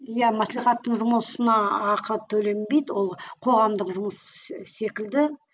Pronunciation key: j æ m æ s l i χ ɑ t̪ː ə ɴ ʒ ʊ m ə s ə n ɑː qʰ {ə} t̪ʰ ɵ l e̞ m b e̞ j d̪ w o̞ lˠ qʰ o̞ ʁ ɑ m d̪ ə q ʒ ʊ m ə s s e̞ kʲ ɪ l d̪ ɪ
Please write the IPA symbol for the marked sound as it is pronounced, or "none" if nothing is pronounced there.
ə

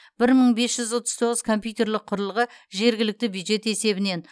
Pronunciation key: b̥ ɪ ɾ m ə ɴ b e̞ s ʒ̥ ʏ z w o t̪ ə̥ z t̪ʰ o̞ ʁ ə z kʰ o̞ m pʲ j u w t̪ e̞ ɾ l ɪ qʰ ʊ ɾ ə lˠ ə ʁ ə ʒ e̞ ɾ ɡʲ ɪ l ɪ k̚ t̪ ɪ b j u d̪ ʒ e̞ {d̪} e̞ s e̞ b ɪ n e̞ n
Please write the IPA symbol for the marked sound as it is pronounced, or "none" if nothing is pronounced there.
t̪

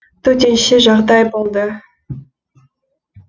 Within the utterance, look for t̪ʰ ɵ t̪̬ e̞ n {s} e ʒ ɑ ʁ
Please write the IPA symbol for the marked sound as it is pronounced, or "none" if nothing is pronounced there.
ʃ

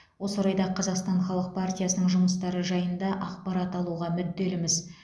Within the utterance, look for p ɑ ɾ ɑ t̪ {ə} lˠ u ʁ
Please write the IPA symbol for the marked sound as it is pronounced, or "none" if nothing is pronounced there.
ɑ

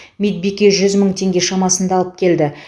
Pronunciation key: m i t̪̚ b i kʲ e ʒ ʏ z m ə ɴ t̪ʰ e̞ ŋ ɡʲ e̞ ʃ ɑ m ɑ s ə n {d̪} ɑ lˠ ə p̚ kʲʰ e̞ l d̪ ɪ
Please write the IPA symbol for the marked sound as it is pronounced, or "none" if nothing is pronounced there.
d̪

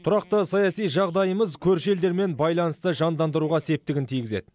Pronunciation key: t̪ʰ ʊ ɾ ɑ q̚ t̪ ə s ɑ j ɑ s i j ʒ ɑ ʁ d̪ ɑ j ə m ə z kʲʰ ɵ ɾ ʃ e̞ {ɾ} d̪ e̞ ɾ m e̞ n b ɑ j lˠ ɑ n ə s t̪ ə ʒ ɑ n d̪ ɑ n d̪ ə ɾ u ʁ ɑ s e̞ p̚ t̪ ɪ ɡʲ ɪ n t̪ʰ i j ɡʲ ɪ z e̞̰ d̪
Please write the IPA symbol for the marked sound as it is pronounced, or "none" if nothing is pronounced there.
l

